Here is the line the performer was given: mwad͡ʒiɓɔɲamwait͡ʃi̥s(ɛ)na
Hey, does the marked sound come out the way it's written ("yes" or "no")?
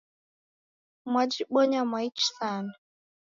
no